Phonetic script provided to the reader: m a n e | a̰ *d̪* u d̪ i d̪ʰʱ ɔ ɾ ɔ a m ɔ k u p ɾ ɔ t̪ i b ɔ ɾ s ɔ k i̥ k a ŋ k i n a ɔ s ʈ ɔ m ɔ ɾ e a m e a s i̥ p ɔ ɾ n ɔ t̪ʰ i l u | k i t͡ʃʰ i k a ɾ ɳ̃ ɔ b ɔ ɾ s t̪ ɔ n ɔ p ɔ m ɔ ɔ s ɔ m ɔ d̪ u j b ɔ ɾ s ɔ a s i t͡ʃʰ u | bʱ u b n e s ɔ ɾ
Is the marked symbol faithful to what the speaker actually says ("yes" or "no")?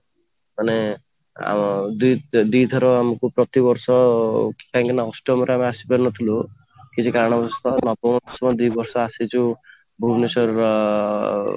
yes